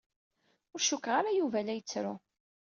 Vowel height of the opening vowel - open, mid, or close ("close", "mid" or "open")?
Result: close